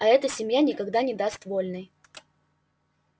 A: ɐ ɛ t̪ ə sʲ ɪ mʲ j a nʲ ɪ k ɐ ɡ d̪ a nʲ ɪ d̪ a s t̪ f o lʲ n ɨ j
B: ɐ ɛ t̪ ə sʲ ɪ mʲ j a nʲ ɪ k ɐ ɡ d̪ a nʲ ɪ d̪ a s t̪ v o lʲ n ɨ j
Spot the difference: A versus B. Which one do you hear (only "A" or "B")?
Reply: B